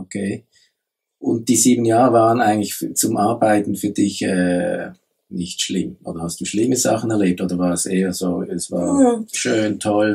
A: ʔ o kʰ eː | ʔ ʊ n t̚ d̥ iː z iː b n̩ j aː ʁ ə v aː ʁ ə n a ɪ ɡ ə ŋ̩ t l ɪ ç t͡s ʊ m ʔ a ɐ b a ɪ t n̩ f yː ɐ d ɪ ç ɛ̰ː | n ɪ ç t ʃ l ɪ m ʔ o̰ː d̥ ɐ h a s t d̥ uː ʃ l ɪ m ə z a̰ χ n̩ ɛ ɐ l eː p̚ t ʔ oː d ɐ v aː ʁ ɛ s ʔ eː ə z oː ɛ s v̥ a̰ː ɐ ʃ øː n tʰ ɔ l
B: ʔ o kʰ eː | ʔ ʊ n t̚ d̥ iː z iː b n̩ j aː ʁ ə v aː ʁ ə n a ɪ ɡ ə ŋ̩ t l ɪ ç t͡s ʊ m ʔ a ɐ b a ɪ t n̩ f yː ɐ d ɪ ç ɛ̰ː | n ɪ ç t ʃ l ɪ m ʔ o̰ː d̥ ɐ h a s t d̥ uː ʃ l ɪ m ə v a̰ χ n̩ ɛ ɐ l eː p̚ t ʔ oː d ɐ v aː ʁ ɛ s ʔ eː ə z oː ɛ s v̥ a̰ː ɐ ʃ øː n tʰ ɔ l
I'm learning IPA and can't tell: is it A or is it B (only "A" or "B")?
A